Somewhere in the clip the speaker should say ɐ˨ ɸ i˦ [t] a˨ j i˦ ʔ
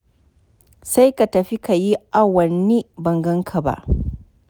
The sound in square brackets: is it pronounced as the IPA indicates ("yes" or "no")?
no